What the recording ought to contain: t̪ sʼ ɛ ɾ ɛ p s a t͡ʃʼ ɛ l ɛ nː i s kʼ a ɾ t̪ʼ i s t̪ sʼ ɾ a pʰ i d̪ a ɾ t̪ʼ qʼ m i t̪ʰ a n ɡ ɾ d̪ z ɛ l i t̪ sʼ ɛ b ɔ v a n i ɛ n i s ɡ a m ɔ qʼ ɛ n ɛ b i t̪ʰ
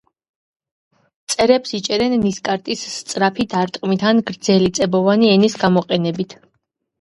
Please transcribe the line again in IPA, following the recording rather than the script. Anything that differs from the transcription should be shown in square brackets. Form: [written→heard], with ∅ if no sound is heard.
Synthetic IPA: t̪ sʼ ɛ ɾ ɛ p s [a→i] t͡ʃʼ ɛ [l→ɾ] ɛ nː i s kʼ a ɾ t̪ʼ i s t̪ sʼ ɾ a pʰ i d̪ a ɾ t̪ʼ qʼ m i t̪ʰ a n ɡ ɾ d̪ z ɛ l i t̪ sʼ ɛ b ɔ v a n i ɛ n i s ɡ a m ɔ qʼ ɛ n ɛ b i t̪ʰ